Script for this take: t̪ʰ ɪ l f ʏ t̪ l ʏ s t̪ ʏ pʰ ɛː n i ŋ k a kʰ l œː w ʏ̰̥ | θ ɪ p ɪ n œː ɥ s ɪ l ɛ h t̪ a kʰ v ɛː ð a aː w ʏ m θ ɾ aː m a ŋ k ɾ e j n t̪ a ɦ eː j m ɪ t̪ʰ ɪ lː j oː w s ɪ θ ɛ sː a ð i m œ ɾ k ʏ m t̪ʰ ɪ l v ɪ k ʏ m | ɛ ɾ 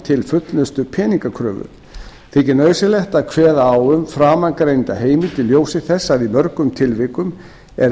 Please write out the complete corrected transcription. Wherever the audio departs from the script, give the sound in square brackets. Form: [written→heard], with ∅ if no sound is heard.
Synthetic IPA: t̪ʰ ɪ l f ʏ t̪ l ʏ s t̪ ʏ pʰ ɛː n i ŋ k a kʰ [l→ɾ] œː [w→v] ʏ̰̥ | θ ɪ [p→c] ɪ n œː ɥ s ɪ l ɛ h t̪ a kʰ v ɛː ð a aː w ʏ m [θ→f] ɾ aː m a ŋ k ɾ e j n t̪ a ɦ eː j m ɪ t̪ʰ ɪ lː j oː w s ɪ θ ɛ sː a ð i m œ ɾ k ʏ m t̪ʰ ɪ l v ɪ k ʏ m | ɛ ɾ